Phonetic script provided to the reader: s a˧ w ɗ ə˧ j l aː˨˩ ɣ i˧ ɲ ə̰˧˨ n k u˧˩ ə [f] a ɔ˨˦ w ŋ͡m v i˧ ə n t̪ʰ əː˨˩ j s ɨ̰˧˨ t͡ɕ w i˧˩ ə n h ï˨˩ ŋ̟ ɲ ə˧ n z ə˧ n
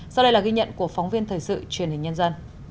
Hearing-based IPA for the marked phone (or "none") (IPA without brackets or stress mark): f